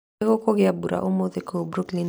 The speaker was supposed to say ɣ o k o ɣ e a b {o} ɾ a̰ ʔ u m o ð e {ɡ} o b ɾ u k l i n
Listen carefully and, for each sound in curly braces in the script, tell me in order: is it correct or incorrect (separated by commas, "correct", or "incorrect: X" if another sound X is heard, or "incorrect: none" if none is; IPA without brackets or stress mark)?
incorrect: u, incorrect: k